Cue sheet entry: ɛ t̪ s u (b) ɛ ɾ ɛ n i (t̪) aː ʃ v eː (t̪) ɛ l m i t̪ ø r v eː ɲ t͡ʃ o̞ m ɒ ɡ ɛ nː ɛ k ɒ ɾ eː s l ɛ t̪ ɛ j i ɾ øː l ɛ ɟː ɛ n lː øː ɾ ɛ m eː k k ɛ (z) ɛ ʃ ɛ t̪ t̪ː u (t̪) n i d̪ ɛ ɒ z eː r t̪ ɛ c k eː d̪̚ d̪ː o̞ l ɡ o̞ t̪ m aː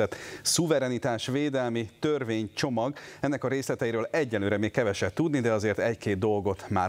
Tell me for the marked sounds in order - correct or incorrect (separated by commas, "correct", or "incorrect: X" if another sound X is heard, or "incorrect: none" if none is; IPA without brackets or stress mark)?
incorrect: v, correct, incorrect: d̪, incorrect: v, incorrect: d̪